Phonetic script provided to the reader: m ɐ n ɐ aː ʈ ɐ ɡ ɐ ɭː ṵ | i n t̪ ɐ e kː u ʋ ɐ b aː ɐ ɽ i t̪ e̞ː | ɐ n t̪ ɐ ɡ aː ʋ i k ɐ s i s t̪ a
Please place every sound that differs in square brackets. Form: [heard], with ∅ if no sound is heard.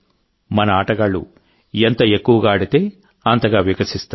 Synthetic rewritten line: m ɐ n ɐ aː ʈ ɐ ɡ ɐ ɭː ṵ | [e] n t̪ ɐ e kː u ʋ ɐ [ɡ] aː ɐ ɽ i t̪ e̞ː | ɐ n t̪ ɐ ɡ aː ʋ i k ɐ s i s t̪ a

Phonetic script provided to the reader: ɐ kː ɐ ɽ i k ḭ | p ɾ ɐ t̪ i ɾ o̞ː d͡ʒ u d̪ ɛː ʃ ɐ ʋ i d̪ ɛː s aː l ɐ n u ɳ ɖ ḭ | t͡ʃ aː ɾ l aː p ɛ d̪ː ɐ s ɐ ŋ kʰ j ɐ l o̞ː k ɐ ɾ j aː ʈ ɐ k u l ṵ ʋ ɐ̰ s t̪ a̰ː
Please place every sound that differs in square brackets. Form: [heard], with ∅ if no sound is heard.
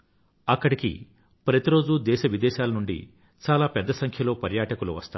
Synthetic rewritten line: ɐ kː ɐ ɽ i k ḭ | p ɾ ɐ t̪ i ɾ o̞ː d͡ʒ u d̪ ɛː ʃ ɐ ʋ i d̪ ɛː [ʃ] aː l ɐ n u ɳ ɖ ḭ | t͡ʃ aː [∅] l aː p ɛ d̪ː ɐ s ɐ ŋ kʰ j ɐ l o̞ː [p] ɐ ɾ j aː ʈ ɐ k u l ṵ ʋ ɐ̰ s t̪ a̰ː

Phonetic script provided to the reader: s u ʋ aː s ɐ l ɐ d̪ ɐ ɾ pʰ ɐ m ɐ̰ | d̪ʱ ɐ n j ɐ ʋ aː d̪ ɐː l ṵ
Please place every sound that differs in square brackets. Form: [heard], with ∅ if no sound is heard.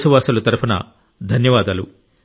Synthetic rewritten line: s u ʋ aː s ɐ l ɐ [t̪] ɐ ɾ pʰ ɐ [n] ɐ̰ | d̪ʱ ɐ n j ɐ ʋ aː d̪ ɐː l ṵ

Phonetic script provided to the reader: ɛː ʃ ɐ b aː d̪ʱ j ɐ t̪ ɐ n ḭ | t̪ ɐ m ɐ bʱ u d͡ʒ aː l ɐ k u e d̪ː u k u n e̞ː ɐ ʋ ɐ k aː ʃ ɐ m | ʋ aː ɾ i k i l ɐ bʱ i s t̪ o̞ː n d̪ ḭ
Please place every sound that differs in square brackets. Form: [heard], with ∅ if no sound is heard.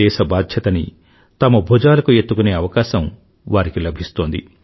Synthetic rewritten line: ɛː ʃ ɐ b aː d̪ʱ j ɐ t̪ ɐ n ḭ | t̪ ɐ m ɐ bʱ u d͡ʒ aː l ɐ k u e [t̪ː] u k u n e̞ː ɐ ʋ ɐ k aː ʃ ɐ m | ʋ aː ɾ i k i l ɐ bʱ i s t̪ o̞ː n d̪ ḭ

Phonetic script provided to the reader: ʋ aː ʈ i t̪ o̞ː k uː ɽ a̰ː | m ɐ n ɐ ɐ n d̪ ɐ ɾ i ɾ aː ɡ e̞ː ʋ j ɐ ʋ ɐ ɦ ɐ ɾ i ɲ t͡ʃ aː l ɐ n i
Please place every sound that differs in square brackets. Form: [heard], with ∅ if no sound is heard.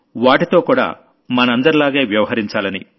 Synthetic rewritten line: ʋ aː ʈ i t̪ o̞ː k uː ɽ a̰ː | m ɐ n ɐ ɐ n d̪ ɐ ɾ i [l] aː ɡ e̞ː ʋ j ɐ ʋ ɐ ɦ ɐ ɾ i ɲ t͡ʃ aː l ɐ n i

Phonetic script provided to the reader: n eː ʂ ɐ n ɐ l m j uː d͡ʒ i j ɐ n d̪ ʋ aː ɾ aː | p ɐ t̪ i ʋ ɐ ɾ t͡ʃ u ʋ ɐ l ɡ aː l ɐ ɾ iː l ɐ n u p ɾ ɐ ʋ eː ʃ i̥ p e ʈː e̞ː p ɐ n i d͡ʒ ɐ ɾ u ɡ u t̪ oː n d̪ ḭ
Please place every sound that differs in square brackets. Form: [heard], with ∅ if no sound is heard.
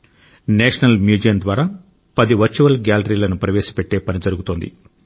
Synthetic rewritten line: n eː ʂ ɐ n ɐ l m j uː d͡ʒ i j ɐ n d̪ ʋ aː ɾ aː | p ɐ [d̪] i ʋ ɐ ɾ t͡ʃ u ʋ ɐ l ɡ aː l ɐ ɾ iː l ɐ n u p ɾ ɐ ʋ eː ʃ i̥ p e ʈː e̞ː p ɐ n i d͡ʒ ɐ ɾ u ɡ u t̪ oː n d̪ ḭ

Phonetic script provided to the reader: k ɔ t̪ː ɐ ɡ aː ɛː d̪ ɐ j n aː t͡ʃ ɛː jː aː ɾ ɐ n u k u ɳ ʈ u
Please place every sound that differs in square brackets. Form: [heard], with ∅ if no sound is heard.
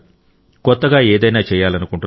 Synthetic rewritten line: k ɔ t̪ː ɐ ɡ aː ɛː d̪ ɐ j n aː t͡ʃ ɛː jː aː [l] ɐ n u k u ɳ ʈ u

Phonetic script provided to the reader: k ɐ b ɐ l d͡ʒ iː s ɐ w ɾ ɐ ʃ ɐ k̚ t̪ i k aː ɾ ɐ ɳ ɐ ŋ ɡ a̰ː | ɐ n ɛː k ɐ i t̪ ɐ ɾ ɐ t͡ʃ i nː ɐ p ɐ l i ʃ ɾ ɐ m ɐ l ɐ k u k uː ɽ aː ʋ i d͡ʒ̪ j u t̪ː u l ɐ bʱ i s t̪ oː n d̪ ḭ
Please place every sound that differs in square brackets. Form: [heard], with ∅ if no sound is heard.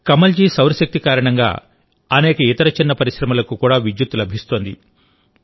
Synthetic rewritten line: k ɐ [m] ɐ l d͡ʒ iː s ɐ w ɾ ɐ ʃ ɐ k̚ t̪ i k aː ɾ ɐ ɳ ɐ ŋ ɡ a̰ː | ɐ n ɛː k ɐ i t̪ ɐ ɾ ɐ t͡ʃ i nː ɐ p ɐ [ɾ] i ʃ ɾ ɐ m ɐ l ɐ k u k uː ɽ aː ʋ i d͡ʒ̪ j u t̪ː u l ɐ bʱ i s t̪ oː n d̪ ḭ

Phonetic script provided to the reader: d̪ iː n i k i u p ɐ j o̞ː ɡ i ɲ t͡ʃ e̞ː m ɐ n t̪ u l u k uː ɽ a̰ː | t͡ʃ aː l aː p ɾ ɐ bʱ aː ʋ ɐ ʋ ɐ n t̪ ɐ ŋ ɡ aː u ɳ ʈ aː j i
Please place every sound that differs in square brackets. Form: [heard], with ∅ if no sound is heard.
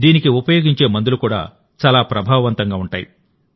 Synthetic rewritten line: d̪ iː n i k i u p ɐ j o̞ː ɡ i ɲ t͡ʃ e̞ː m ɐ n [d̪] u l u k uː ɽ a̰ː | t͡ʃ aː l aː p ɾ ɐ bʱ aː ʋ ɐ ʋ ɐ n t̪ ɐ ŋ ɡ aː u ɳ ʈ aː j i

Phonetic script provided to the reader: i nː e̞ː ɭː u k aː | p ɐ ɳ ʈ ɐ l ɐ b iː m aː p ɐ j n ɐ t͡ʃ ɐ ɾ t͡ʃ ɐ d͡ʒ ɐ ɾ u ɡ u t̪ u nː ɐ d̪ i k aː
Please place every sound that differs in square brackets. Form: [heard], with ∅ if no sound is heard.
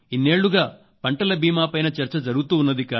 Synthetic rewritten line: i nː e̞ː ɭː u [ɡ] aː | p ɐ ɳ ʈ ɐ l ɐ b iː m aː p ɐ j n ɐ t͡ʃ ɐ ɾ t͡ʃ ɐ d͡ʒ ɐ ɾ u ɡ u t̪ [uː] nː ɐ d̪ i k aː

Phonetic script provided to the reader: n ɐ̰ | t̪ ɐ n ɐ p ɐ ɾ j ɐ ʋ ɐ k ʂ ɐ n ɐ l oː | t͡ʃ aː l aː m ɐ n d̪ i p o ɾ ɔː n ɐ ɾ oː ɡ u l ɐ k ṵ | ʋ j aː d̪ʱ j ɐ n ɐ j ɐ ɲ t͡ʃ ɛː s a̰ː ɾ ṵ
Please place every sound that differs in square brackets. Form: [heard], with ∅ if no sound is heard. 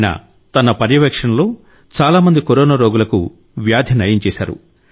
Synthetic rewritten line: n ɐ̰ | t̪ ɐ n ɐ p ɐ ɾ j ɐ ʋ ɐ k ʂ ɐ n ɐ l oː | t͡ʃ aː l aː m ɐ n d̪ i [k] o ɾ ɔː n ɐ ɾ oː ɡ u l ɐ k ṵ | ʋ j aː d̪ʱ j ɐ n ɐ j ɐ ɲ t͡ʃ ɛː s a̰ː ɾ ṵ

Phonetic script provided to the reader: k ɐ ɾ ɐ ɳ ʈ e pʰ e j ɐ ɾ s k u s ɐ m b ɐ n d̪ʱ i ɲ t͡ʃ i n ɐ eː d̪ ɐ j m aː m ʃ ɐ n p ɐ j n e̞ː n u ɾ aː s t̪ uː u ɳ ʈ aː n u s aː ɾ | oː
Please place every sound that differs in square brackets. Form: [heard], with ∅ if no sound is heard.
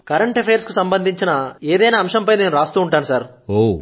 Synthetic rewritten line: k ɐ ɾ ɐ ɳ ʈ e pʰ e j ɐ ɾ s k u s ɐ m b ɐ n d̪ʱ i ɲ t͡ʃ i n ɐ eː d̪ ɐ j [n] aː m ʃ ɐ [m] p ɐ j n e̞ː n u ɾ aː s t̪ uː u ɳ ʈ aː n u s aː ɾ | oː

